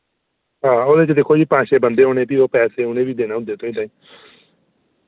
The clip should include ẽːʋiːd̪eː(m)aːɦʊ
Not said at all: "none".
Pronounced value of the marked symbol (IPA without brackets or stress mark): n